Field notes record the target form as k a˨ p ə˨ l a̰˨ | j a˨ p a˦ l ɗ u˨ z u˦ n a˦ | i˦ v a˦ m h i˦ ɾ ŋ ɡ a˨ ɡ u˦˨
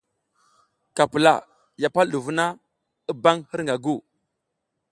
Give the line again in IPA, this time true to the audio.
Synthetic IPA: k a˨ p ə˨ l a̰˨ | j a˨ p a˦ l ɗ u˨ v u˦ n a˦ | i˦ b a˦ ŋ h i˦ ɾ ŋ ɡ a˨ ɡ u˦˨